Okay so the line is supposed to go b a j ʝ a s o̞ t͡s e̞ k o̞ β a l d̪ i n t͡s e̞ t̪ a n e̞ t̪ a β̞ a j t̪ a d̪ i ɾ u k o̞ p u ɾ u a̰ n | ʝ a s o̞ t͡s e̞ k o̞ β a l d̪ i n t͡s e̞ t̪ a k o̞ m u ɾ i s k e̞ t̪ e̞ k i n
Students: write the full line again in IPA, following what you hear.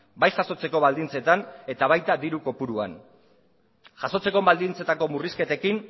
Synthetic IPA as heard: b a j ʝ a s o̞ t͡s e̞ k o̞ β a l d̪ i n t͡s e̞ t̪ a n e̞ t̪ a β̞ a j t̪ a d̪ i ɾ u k o̞ p u ɾ u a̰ n | ʝ a s o̞ t͡s e̞ k o̞ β a l d̪ i n t͡s e̞ t̪ a k o̞ m u r i s k e̞ t̪ e̞ k i n